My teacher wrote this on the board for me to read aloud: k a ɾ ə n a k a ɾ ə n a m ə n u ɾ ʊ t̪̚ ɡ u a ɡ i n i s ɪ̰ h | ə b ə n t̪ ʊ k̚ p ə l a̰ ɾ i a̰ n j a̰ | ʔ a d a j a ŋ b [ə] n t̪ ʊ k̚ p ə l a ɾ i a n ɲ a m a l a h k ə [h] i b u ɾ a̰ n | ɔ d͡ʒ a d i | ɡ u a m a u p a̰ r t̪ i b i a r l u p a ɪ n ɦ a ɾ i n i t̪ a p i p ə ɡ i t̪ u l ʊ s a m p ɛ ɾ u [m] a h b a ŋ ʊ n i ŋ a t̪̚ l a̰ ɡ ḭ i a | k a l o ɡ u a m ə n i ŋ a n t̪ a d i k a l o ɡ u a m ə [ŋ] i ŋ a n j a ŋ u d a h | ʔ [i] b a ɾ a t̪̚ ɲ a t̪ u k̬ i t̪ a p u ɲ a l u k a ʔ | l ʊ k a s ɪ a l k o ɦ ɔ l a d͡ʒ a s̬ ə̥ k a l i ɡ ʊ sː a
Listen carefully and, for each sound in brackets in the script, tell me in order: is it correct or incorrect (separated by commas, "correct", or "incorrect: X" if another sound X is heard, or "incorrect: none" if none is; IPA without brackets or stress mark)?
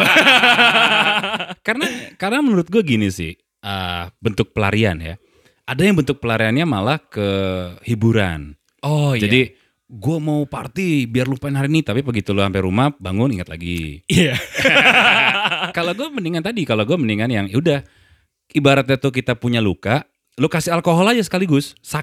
correct, correct, correct, incorrect: n, correct